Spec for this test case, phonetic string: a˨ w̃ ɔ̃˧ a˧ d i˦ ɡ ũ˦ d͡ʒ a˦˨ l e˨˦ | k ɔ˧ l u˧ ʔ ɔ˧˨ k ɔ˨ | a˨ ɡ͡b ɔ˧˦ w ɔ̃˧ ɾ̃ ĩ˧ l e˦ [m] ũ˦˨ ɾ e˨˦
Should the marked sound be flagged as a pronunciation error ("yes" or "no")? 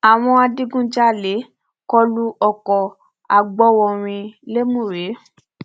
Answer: no